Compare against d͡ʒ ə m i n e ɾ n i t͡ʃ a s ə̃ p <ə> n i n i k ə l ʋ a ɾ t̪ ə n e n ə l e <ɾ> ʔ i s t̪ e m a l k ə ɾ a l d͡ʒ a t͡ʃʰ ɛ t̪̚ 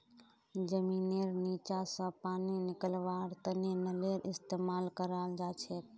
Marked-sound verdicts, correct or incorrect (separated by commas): incorrect, correct